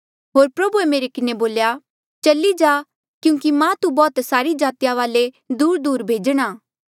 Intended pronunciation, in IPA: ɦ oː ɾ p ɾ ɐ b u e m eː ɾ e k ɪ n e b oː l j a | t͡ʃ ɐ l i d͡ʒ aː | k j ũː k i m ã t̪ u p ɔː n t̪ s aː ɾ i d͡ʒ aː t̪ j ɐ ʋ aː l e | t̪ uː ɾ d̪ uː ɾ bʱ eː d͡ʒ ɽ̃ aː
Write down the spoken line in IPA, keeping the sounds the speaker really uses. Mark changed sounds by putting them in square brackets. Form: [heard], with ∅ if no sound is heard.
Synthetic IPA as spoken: ɦ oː ɾ p ɾ ɐ b u e m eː ɾ e k ɪ n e b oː l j a | t͡ʃ ɐ l i d͡ʒ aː | k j ũː k i m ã t̪ u [b] ɔː [∅] t̪ s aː ɾ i d͡ʒ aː t̪ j [a] ʋ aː l e | [d̪] uː ɾ d̪ uː ɾ bʱ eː d͡ʒ ɽ̃ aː